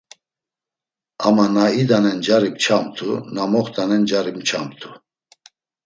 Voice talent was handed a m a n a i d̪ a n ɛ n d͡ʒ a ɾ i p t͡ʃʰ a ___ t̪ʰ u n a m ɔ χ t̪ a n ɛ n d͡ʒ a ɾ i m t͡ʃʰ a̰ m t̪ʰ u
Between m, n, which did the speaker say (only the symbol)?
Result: m